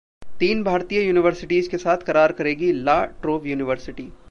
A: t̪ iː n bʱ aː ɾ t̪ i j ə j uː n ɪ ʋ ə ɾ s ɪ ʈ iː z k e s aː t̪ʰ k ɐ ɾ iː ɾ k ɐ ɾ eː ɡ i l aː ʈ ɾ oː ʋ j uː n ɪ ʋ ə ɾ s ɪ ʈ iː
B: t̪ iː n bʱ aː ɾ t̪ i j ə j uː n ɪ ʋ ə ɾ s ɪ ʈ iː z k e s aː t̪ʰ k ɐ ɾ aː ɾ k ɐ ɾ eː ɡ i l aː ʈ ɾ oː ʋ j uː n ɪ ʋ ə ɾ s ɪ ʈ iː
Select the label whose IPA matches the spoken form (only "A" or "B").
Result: B